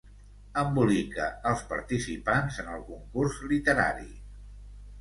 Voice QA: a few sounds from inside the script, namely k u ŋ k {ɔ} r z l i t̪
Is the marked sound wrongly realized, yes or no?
yes